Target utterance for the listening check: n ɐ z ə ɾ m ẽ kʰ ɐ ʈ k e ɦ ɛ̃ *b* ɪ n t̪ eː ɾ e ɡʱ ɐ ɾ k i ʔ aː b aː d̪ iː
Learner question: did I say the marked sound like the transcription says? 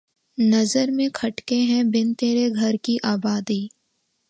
yes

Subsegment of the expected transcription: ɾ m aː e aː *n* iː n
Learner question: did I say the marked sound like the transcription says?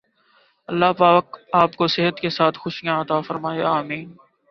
no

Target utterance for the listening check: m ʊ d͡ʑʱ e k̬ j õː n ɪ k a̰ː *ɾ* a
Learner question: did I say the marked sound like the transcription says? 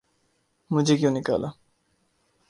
no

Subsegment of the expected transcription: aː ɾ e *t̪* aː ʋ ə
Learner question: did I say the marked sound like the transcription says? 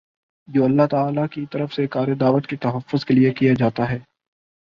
no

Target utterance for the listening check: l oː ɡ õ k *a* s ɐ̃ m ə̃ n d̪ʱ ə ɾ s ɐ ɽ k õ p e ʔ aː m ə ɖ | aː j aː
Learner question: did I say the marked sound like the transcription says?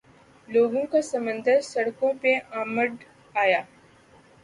yes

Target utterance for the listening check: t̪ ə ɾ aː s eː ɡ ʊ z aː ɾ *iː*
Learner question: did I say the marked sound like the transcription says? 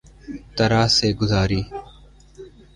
yes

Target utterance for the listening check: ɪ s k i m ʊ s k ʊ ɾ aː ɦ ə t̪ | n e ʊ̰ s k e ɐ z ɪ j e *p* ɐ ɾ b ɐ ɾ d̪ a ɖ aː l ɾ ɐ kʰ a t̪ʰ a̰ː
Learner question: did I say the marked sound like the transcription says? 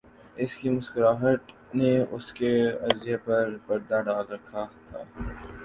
yes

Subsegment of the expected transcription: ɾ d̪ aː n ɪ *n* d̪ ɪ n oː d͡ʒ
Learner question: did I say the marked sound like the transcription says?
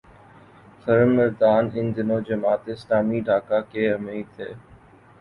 yes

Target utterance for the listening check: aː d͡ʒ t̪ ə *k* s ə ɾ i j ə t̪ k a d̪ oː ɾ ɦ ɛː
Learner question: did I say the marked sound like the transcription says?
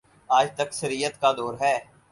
yes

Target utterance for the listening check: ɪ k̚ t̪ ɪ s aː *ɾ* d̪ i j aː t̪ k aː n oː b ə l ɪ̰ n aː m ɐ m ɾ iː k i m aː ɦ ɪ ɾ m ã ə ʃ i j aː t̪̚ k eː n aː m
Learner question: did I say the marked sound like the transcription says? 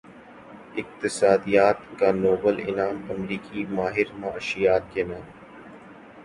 no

